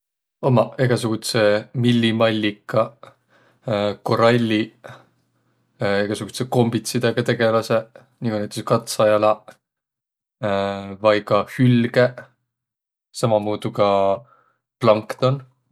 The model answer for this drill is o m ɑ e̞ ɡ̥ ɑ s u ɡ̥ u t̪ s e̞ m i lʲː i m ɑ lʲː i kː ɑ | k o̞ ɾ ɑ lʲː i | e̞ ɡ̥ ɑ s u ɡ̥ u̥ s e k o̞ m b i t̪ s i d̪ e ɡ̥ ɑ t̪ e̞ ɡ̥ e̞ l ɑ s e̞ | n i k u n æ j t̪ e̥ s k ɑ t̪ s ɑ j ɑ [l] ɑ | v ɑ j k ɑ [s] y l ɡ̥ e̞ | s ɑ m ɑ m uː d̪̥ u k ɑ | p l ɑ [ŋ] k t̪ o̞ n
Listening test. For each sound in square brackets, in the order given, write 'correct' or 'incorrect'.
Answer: correct, incorrect: h, correct

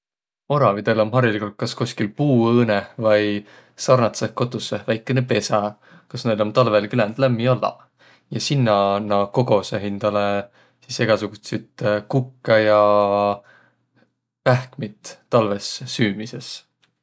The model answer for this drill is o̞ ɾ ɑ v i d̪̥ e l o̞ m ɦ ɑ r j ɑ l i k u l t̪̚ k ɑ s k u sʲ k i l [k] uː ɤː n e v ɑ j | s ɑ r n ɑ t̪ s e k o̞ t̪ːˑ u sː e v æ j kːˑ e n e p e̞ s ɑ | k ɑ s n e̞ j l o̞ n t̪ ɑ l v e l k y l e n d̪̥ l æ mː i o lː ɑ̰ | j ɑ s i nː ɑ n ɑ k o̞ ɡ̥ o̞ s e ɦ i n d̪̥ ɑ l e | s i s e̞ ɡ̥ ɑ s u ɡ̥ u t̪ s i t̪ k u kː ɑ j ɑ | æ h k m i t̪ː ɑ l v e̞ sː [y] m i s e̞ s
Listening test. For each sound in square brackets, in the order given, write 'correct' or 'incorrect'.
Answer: incorrect: p, incorrect: yː

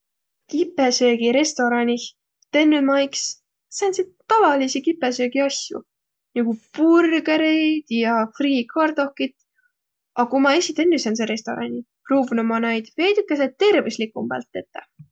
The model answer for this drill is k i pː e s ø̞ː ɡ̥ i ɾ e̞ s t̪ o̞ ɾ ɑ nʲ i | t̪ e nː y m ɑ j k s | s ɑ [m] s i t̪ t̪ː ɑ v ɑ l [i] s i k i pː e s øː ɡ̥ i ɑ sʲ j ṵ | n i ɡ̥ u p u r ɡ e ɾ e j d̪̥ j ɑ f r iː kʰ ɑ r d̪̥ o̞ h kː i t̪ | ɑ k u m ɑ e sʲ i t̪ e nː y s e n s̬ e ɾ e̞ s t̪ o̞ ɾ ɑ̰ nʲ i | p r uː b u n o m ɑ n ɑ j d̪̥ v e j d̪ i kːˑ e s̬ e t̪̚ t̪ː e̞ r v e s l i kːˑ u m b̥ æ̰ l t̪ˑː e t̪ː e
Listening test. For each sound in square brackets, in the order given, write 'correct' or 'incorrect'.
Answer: incorrect: n, correct

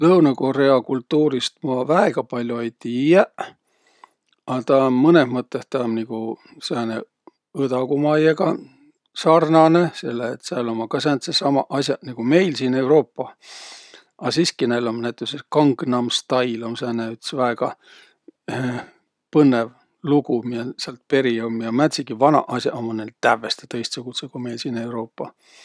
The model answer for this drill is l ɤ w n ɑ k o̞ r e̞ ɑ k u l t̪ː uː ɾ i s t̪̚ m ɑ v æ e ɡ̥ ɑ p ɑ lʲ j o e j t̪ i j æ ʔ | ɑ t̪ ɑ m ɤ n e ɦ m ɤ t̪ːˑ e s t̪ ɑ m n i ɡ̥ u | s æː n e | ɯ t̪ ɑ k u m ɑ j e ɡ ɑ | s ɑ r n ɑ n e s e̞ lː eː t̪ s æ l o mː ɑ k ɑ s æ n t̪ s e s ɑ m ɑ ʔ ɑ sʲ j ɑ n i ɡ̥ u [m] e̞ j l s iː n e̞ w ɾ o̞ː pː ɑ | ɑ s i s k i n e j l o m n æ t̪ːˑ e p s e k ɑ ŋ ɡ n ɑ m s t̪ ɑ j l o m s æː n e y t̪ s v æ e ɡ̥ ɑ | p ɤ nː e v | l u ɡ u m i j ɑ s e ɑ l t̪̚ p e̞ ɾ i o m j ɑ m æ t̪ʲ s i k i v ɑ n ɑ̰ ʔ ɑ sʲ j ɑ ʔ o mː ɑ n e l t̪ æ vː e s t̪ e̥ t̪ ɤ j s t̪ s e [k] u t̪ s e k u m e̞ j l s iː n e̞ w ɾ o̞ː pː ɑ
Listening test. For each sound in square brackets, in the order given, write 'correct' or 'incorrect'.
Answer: correct, correct

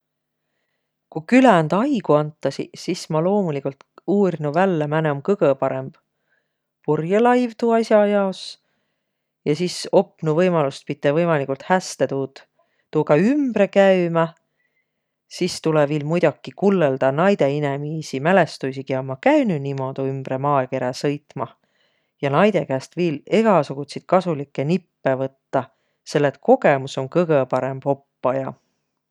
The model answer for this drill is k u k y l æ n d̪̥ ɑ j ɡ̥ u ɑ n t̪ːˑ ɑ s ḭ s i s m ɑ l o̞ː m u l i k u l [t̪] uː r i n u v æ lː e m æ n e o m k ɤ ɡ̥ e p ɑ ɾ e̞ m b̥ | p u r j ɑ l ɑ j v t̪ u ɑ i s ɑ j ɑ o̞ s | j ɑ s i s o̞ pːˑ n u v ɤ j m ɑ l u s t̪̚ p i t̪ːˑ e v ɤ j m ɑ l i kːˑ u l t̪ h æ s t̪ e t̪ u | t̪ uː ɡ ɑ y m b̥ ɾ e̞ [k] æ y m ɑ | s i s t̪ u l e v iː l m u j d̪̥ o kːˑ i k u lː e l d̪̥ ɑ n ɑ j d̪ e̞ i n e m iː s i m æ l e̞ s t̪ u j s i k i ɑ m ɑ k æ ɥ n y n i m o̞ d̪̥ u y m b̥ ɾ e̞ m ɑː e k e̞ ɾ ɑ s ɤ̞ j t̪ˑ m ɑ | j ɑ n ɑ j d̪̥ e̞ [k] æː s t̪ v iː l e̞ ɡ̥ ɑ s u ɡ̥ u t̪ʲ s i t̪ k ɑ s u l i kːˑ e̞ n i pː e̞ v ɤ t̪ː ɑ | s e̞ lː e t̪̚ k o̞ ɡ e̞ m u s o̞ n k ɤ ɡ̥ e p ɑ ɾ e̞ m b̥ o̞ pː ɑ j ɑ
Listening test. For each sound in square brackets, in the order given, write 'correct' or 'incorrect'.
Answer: correct, correct, correct

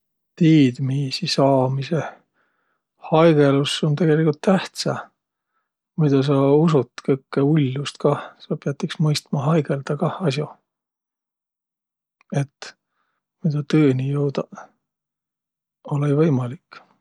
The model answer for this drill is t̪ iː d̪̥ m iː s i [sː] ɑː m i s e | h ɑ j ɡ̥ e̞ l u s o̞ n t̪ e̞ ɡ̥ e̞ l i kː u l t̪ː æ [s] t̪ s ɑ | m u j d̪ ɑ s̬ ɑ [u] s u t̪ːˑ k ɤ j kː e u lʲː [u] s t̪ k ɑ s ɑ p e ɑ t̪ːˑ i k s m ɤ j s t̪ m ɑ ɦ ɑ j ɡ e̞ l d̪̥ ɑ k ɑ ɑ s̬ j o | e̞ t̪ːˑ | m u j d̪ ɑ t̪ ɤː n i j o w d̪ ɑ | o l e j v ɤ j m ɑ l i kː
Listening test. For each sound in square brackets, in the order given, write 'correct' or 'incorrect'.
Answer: incorrect: s, incorrect: h, correct, correct

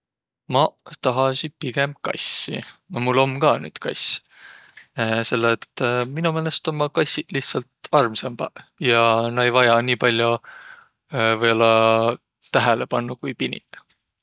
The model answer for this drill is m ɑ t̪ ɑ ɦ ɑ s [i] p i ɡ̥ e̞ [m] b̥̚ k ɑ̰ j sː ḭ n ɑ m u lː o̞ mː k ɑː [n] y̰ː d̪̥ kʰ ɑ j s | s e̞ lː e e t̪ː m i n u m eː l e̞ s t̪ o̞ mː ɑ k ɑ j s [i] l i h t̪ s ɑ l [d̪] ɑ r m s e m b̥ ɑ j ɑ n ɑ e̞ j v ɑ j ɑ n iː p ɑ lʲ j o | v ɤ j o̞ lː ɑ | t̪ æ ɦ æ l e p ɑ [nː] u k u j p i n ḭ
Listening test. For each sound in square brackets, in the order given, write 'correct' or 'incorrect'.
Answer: correct, correct, correct, correct, incorrect: t̪, correct

